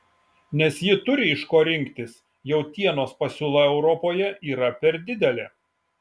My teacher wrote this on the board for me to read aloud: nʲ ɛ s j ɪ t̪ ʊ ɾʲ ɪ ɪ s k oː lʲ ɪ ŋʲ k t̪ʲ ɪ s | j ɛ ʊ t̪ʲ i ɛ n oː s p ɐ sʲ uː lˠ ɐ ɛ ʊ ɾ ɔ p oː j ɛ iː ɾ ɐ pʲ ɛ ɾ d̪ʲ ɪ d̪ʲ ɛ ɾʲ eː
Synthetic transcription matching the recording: nʲ ɛ s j ɪ t̪ ʊ ɾʲ ɪ ɪ ʃ k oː ɾʲ ɪ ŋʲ k t̪ʲ ɪ s | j ɛ ʊ t̪ʲ i ɛ n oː s p ɐ sʲ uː lˠ ɐ ɛ ʊ ɾ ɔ p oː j ɛ iː ɾ ɐ pʲ ɛ ɾ d̪ʲ ɪ d̪ʲ ɛ lʲ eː